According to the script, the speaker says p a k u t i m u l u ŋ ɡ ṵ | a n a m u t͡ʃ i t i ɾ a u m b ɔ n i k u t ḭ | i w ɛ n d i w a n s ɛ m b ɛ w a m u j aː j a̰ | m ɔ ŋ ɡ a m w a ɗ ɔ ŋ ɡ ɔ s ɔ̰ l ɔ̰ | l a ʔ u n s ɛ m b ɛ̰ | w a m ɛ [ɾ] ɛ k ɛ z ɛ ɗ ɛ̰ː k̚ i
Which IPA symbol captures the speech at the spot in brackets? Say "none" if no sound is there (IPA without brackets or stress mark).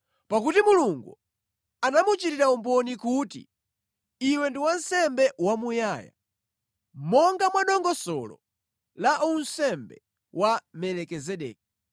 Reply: l